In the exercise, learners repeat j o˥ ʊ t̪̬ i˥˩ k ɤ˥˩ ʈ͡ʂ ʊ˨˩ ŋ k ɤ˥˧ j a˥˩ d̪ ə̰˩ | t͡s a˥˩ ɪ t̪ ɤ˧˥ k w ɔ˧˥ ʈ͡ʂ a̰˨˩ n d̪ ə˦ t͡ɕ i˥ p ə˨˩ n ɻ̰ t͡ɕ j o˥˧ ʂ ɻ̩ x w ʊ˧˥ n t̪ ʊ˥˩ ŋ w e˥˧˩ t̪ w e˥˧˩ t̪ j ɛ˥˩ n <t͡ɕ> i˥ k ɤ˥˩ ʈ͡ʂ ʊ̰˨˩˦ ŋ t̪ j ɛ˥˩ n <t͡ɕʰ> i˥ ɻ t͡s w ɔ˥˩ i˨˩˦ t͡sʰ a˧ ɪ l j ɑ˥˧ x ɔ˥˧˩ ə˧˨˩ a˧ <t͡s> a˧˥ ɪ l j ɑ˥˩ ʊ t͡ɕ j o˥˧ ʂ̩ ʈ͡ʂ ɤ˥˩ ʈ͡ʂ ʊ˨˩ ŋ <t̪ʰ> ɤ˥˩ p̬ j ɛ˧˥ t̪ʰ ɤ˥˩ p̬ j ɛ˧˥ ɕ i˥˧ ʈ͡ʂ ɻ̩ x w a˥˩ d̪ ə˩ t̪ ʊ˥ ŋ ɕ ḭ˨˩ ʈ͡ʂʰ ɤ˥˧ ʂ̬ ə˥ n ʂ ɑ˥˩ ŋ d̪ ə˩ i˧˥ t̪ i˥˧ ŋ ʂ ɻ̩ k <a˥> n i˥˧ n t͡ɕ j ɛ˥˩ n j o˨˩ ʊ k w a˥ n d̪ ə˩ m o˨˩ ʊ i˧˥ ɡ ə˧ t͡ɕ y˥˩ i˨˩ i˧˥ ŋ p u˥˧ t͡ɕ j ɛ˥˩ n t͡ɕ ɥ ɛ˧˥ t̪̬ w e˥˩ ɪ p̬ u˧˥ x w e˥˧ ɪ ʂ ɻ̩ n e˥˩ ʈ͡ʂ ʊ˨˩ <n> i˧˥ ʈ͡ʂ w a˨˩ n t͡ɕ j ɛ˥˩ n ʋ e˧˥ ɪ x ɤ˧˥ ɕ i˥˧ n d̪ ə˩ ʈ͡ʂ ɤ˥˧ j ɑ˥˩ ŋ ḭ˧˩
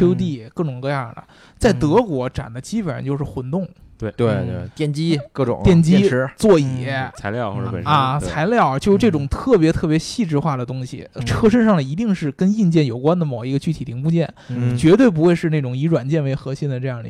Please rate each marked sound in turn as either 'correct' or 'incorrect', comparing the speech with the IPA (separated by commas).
correct, incorrect, incorrect, correct, incorrect, incorrect